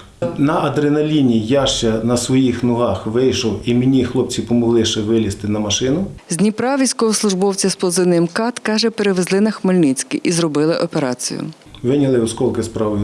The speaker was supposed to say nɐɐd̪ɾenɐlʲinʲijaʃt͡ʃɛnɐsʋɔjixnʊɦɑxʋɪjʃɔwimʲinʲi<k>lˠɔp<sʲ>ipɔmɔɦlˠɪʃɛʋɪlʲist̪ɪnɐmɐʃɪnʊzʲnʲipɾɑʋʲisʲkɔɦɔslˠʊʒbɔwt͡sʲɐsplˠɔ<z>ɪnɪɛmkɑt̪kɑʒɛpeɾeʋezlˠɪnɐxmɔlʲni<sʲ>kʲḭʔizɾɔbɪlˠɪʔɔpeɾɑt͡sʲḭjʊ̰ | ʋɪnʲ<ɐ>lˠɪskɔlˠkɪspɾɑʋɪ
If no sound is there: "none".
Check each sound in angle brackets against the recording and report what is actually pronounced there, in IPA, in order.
x, t͡sʲ, z, t͡sʲ, ɐ

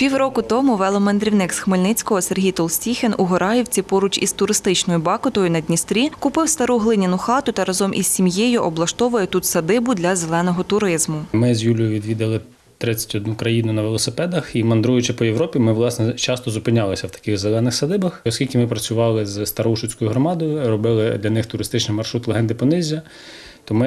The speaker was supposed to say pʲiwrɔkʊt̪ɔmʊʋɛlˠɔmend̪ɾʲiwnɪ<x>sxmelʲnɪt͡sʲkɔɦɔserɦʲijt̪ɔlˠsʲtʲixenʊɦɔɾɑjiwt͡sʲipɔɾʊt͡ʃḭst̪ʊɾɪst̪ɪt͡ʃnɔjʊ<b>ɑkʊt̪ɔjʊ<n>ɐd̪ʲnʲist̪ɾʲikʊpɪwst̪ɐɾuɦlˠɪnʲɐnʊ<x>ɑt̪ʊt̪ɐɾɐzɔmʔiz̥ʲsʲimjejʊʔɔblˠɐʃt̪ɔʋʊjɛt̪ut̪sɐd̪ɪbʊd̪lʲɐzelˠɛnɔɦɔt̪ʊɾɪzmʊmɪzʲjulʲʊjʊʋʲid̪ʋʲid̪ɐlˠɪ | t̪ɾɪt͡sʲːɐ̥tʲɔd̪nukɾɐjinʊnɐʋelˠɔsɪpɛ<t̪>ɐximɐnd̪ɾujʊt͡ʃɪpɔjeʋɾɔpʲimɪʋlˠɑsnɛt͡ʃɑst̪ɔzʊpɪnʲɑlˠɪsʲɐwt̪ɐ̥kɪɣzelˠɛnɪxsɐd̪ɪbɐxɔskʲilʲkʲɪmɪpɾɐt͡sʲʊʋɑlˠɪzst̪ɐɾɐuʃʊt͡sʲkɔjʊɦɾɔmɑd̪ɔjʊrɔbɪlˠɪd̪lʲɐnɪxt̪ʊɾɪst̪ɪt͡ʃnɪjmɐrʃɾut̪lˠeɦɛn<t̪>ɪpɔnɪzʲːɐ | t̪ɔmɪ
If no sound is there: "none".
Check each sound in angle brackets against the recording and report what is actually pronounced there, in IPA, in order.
k, b, n, x, d̪, d̪

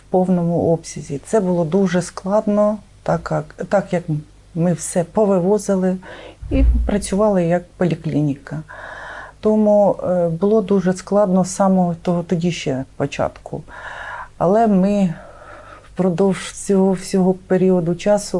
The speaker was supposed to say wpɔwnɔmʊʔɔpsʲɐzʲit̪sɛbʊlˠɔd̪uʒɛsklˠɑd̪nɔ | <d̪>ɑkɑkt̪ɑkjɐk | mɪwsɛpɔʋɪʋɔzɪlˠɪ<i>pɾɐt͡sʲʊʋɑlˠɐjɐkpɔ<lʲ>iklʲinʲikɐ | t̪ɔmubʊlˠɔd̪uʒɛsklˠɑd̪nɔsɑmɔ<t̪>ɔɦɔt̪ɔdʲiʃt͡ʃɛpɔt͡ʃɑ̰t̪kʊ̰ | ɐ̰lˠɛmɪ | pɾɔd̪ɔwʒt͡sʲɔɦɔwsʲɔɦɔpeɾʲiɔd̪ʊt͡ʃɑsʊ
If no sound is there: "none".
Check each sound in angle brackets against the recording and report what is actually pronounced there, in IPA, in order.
t̪, i, lʲ, t̪

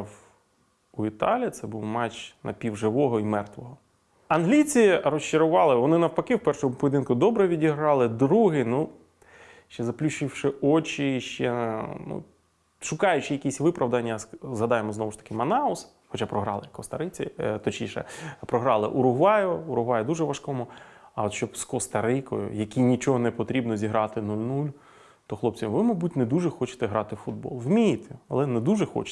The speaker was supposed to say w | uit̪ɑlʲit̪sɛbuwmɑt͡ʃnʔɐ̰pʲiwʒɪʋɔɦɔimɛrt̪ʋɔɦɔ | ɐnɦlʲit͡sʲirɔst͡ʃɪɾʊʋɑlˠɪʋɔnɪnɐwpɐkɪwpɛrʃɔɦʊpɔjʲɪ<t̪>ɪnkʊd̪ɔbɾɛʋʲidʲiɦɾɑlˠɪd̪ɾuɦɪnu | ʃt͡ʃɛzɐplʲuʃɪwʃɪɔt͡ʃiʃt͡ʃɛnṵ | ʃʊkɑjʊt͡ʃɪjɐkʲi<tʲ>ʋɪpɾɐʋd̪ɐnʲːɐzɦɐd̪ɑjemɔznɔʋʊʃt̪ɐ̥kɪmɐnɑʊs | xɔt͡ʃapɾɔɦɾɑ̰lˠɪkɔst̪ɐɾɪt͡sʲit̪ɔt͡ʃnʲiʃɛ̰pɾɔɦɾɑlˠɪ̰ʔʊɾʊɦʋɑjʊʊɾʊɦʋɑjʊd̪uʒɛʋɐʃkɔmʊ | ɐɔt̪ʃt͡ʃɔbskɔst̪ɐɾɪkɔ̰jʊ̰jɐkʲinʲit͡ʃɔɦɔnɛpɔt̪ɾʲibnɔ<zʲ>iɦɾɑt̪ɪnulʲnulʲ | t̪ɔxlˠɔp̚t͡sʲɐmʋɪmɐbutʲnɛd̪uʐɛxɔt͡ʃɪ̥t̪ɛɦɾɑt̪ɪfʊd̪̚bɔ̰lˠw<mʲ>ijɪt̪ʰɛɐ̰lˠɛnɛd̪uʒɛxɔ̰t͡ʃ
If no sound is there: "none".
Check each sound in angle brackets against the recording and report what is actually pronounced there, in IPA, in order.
d̪, sʲ, zʲ, mʲ

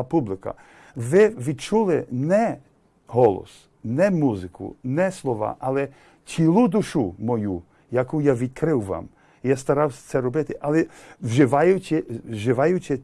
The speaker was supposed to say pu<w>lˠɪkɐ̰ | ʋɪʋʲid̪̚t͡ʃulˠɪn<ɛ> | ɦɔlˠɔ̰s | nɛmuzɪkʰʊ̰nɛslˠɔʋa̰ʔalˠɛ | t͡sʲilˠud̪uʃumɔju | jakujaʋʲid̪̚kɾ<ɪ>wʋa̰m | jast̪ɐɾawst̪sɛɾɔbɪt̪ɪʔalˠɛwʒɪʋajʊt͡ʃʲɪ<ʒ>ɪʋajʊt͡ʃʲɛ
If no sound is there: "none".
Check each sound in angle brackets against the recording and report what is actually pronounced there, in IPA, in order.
b, ɛ, ɪ, ʒ

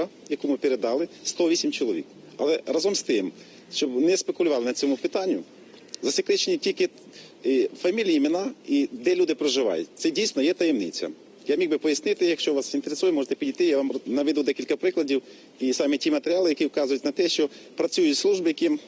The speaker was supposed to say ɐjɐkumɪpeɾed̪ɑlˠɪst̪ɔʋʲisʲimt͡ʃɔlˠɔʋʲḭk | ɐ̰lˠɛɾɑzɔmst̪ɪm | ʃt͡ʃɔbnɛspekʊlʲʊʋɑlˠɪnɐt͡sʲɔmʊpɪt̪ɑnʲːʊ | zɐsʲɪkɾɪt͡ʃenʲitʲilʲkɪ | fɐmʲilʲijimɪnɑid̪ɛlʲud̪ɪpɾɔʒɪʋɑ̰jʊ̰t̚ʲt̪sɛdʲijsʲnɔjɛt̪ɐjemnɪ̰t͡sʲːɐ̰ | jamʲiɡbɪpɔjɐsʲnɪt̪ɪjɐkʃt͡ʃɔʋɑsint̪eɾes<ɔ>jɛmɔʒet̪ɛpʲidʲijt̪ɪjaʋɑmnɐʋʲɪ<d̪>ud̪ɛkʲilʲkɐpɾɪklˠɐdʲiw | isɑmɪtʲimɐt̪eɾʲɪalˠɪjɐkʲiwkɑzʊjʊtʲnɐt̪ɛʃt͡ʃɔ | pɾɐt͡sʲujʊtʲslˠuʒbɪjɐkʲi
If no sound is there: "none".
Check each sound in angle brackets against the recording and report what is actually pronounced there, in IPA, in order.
u, d̪

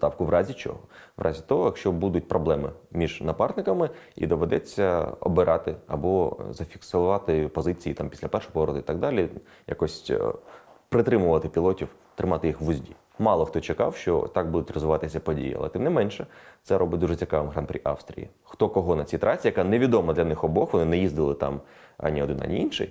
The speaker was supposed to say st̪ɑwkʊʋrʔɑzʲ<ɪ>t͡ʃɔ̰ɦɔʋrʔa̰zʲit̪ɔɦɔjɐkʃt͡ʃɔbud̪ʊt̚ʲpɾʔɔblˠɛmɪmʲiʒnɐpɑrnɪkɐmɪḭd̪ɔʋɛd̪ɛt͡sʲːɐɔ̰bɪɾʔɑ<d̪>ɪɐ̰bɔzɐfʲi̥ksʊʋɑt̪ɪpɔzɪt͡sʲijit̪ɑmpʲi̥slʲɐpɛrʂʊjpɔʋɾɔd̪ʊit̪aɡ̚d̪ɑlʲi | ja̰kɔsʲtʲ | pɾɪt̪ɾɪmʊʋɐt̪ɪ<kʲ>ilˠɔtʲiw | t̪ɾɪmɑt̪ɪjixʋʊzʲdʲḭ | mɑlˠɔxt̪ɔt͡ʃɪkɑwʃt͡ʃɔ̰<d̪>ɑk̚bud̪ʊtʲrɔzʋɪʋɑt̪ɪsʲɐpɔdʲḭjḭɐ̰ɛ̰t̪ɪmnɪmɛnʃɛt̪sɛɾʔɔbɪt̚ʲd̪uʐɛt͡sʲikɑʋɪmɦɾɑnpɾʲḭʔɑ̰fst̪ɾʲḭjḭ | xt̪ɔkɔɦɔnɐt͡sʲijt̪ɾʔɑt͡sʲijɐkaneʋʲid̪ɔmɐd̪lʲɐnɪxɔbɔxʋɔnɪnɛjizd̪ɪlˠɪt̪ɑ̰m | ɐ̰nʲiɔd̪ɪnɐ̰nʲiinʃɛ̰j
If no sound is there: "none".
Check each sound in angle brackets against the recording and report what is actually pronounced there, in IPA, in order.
i, t̪, pʲ, t̪

